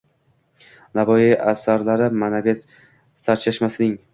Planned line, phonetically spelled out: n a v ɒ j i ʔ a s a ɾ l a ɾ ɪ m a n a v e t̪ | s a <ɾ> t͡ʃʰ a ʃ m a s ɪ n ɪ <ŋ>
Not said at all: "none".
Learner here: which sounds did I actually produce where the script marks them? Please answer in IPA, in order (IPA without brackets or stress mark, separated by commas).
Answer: ɾ, ŋ